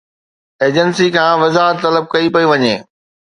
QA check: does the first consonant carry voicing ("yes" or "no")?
yes